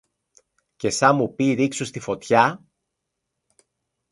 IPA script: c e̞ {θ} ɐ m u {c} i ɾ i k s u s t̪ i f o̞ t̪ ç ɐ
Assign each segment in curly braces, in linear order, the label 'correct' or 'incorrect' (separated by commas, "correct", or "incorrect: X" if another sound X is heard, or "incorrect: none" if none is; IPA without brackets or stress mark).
incorrect: s, incorrect: p